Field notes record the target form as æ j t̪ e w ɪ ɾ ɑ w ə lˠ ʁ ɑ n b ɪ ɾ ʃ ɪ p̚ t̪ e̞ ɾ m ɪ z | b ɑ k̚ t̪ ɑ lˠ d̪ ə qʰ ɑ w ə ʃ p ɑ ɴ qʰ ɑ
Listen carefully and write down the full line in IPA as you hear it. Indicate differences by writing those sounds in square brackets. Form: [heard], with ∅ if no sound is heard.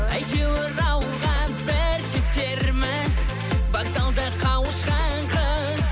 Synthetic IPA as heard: æ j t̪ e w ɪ ɾ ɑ w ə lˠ ʁ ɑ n b ɪ ɾ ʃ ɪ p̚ t̪ e̞ ɾ m ɪ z | b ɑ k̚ t̪ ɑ lˠ d̪ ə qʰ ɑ w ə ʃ [q] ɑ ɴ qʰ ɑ